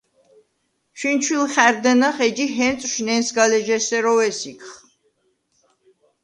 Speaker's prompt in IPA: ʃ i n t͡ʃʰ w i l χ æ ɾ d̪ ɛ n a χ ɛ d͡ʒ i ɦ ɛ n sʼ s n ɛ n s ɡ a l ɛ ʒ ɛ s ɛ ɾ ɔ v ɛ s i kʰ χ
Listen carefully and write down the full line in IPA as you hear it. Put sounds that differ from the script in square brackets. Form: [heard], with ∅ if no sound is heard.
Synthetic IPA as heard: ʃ i n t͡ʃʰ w i l χ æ ɾ d̪ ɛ n a χ ɛ d͡ʒ i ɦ ɛ n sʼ [ʃ] n ɛ n s ɡ a l ɛ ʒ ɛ s ɛ ɾ ɔ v ɛ s i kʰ χ